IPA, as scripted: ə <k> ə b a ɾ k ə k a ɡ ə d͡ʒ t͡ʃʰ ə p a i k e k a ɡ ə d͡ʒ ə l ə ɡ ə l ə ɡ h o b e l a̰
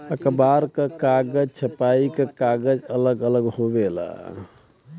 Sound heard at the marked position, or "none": k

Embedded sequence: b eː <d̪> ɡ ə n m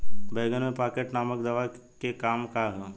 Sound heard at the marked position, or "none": none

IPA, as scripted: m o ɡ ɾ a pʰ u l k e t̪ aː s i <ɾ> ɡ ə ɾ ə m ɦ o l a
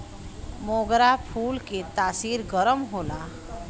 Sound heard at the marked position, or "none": ɾ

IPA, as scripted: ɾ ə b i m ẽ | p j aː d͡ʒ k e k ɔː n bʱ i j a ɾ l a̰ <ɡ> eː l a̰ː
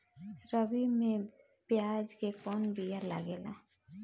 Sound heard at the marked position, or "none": ɡ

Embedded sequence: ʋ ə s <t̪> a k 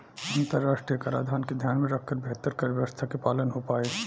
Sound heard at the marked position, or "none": t̪ʰ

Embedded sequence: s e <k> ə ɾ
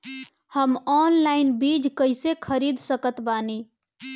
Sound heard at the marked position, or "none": kʰ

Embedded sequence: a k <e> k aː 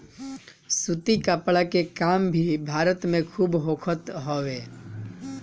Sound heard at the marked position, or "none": e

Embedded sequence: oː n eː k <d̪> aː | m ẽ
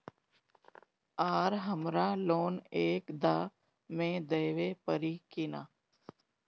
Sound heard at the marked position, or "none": d̪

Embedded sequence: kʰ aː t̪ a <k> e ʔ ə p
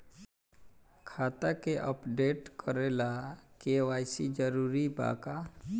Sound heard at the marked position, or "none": k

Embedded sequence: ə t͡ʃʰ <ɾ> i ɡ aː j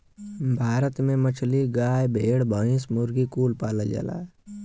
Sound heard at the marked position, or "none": l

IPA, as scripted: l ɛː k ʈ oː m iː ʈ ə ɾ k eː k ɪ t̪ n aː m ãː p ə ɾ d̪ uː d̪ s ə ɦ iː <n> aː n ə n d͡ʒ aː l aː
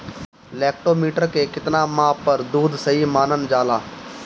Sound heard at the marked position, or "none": m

